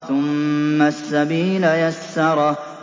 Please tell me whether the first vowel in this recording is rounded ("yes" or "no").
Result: yes